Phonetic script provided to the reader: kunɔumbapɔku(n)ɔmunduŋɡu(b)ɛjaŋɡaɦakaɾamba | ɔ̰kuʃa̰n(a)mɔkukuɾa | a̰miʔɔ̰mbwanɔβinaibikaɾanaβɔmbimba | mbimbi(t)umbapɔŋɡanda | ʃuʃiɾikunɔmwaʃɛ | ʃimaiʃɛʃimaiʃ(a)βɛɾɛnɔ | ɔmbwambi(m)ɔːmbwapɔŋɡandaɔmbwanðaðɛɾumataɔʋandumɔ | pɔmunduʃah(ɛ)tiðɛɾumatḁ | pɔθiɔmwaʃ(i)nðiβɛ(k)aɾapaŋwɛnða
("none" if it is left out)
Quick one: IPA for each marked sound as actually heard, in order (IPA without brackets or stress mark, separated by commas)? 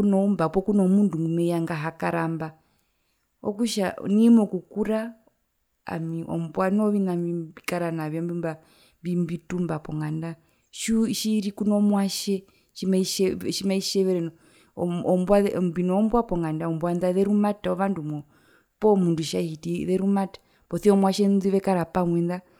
n, m, i, t, ɛ, n, i, ɛ, k